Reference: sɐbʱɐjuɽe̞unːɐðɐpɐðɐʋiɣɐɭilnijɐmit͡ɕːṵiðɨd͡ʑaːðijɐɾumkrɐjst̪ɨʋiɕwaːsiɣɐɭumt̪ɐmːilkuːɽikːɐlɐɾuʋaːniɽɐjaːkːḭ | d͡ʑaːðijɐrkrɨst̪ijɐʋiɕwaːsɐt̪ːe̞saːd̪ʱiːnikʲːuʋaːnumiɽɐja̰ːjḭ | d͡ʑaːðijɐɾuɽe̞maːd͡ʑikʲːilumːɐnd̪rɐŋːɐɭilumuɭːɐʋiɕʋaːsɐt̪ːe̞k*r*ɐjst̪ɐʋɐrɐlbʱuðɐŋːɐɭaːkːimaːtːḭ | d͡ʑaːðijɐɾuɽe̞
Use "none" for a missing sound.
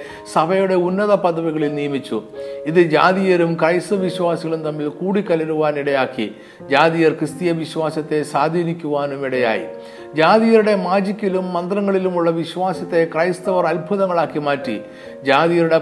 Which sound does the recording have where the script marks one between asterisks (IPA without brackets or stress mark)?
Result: r